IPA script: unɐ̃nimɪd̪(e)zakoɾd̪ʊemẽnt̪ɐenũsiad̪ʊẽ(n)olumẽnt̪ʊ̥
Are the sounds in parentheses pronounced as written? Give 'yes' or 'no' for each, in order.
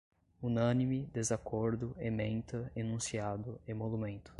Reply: yes, no

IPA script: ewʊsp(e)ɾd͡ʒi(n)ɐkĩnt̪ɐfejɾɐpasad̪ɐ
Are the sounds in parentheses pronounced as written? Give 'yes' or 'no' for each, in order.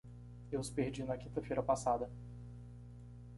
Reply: yes, yes

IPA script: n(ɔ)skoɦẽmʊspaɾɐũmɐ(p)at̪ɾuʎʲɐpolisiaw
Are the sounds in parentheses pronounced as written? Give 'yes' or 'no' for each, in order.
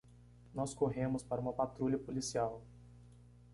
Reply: yes, yes

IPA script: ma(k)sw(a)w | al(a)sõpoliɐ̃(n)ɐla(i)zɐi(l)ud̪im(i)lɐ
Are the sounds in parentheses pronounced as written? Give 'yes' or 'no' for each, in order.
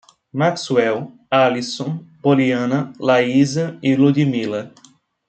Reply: yes, no, no, yes, yes, yes, yes

